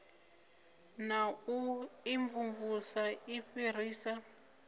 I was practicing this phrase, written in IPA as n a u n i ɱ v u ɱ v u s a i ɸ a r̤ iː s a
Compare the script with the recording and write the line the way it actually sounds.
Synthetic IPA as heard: n a u i ɱ v u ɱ v u s a i ɸ i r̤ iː s a